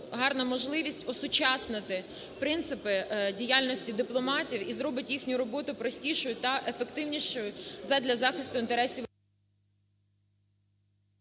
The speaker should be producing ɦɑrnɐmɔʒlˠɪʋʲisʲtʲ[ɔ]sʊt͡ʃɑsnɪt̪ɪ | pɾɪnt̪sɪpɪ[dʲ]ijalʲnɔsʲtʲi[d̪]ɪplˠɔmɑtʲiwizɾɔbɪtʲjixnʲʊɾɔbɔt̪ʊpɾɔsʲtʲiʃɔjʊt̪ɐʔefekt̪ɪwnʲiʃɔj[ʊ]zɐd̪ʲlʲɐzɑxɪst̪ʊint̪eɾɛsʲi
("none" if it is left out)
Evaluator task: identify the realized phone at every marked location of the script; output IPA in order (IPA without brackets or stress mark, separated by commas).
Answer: ɔ, dʲ, d̪, ʊ